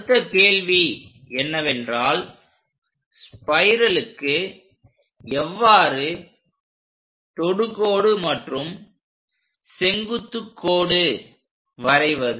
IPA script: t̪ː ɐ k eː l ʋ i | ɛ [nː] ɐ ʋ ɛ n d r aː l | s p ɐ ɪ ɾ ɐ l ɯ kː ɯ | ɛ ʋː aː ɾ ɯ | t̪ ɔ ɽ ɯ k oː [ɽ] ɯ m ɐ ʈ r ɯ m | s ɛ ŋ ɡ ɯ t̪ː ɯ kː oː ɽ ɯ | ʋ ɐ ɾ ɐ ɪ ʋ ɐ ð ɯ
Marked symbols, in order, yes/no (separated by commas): yes, yes